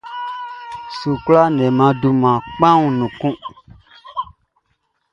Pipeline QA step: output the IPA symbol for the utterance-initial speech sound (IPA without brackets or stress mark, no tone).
s